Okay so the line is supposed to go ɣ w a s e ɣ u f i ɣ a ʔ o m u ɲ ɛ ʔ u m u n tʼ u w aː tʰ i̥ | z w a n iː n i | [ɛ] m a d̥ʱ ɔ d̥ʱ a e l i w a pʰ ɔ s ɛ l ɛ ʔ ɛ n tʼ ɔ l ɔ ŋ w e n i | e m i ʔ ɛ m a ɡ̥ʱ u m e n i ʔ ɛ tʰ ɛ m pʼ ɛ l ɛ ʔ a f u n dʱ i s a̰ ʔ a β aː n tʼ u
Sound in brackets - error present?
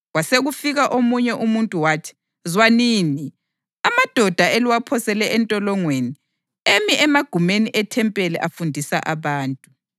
yes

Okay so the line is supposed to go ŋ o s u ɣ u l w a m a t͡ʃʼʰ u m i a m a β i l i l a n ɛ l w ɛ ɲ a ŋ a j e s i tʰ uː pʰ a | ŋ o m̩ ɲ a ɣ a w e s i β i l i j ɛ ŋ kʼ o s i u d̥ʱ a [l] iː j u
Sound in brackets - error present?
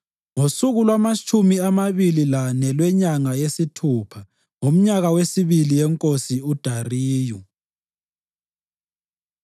yes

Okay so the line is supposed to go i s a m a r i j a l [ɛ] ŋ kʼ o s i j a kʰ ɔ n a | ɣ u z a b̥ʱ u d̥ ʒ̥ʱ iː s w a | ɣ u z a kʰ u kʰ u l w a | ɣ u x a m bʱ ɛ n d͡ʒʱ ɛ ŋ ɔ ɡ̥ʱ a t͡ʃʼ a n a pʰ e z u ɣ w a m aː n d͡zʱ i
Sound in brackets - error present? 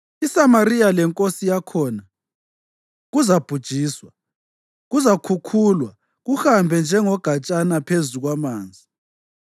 no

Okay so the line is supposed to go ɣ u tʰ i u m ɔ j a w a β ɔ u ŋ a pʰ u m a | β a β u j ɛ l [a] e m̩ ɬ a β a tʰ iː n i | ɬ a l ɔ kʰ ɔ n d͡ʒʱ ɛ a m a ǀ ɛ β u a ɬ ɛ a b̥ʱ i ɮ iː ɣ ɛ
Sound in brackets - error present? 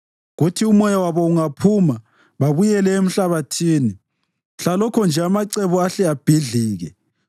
yes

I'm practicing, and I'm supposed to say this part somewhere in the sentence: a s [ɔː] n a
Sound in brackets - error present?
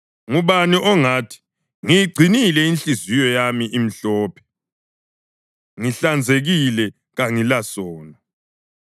no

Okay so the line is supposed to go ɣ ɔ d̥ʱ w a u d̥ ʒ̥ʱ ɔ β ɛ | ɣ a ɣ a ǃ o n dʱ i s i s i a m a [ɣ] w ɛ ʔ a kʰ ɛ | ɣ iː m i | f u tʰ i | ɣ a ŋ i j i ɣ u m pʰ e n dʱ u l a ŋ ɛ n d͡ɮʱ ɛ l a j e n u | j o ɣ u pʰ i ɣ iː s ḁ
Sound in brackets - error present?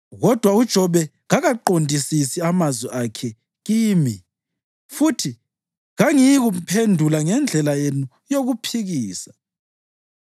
yes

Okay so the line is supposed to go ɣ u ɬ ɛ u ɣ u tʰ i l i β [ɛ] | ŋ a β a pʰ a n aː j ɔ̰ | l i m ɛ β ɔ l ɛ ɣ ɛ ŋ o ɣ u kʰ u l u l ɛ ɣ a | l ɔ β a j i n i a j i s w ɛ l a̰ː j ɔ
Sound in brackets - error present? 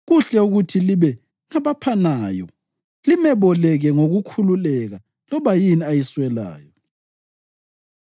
no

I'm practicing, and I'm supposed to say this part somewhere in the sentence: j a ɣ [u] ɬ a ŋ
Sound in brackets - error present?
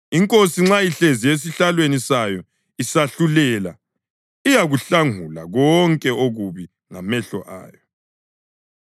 no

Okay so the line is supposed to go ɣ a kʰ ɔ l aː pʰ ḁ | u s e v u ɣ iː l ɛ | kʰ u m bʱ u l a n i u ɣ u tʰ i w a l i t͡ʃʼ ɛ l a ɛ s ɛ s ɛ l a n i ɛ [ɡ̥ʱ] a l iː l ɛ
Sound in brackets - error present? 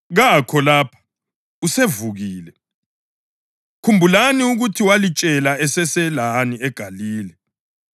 no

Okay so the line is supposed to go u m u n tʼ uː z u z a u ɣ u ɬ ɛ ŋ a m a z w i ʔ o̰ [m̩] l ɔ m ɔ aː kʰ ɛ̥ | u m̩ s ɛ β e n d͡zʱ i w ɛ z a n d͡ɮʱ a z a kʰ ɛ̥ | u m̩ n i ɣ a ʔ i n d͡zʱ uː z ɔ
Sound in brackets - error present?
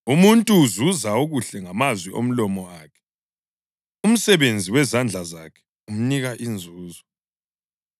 no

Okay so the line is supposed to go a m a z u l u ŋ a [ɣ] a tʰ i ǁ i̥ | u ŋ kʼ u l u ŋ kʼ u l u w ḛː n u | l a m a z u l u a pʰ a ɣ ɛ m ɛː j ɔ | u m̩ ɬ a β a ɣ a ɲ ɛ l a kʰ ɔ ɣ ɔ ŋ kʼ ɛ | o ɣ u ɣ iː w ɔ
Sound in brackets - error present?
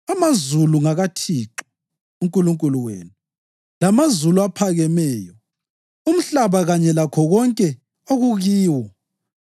no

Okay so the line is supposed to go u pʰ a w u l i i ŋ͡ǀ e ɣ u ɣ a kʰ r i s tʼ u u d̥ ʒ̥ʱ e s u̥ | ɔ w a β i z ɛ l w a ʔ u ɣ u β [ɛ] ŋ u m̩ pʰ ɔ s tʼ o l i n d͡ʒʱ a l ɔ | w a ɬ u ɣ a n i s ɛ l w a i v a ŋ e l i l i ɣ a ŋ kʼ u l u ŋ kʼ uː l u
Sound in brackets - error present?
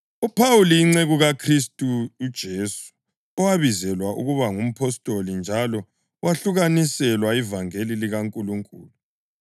yes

